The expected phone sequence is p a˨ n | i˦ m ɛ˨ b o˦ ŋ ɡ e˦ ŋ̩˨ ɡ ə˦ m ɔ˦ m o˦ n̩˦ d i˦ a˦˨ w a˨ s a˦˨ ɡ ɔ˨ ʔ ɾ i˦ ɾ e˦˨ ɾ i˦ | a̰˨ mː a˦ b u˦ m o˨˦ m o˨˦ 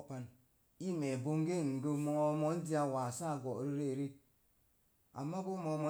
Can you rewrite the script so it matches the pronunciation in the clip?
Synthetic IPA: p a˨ n | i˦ m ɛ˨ b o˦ ŋ ɡ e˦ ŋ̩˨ ɡ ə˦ m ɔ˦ m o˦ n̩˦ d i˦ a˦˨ w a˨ s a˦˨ ɡ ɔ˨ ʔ ɾ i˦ ɾ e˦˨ ɾ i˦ | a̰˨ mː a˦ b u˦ m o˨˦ m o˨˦